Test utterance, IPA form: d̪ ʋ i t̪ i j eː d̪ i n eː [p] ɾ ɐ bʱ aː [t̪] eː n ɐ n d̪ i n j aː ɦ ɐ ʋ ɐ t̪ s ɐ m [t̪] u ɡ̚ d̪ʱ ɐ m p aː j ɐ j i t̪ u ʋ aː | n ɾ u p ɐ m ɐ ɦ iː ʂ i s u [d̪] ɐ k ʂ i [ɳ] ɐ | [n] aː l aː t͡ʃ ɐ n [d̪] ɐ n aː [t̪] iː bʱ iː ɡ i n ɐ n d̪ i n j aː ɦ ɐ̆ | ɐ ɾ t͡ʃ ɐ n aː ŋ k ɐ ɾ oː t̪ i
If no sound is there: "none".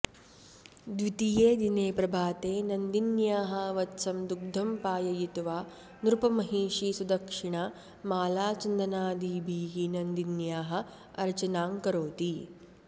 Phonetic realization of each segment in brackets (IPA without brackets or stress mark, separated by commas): p, t̪, d̪, d̪, ɳ, m, d̪, d̪